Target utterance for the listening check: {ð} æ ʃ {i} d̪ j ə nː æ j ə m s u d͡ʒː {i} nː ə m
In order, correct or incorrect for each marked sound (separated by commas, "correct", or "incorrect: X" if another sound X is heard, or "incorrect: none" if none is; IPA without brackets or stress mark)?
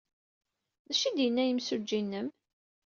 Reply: correct, correct, correct